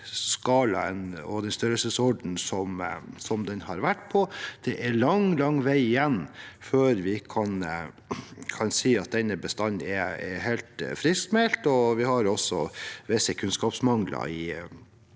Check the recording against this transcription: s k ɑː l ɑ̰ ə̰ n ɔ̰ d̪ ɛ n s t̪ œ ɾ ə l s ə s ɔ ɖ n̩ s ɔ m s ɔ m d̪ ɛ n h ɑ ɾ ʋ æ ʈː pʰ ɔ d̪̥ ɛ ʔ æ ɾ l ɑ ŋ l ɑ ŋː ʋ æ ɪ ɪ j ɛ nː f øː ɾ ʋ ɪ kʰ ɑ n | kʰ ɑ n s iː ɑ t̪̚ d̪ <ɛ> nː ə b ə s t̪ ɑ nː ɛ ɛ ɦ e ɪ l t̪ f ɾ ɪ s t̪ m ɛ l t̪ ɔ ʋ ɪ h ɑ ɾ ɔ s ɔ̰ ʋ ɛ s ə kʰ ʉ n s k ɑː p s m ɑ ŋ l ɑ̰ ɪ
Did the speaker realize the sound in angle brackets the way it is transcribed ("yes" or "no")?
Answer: yes